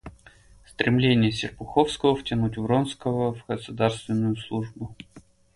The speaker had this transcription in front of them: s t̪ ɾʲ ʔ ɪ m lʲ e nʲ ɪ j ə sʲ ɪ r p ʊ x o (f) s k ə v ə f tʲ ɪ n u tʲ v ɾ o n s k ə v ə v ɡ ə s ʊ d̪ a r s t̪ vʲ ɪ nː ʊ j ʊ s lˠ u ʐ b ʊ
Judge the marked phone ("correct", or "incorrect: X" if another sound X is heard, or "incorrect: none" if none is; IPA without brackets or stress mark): correct